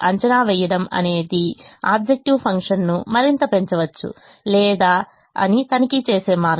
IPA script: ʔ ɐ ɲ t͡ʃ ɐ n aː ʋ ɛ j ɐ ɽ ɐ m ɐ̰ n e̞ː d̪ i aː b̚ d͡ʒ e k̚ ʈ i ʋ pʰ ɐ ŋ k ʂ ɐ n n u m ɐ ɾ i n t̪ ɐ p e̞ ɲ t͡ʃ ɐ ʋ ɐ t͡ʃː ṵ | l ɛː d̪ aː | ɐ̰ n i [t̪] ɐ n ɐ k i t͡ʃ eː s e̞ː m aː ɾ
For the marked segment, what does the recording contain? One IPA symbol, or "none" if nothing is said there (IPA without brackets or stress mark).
t̪